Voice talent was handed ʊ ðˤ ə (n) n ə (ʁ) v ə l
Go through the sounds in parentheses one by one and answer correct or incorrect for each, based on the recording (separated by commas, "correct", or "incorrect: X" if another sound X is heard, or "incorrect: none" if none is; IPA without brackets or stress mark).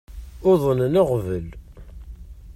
correct, correct